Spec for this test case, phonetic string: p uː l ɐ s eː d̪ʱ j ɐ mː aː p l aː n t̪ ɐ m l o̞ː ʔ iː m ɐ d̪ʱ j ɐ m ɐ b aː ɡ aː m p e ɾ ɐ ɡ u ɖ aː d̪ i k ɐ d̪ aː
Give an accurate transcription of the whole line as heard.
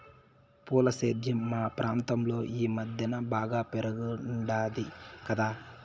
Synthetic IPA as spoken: p uː l ɐ s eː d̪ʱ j ɐ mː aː p ɾ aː n t̪ ɐ m l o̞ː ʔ iː m ɐ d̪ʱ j ɐ n ɐ b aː ɡ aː p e ɾ ɐ ɡ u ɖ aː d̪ i k ɐ d̪ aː